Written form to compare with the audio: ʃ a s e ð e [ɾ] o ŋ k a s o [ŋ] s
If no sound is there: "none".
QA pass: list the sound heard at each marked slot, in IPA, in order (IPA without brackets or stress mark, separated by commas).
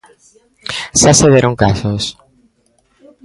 ɾ, none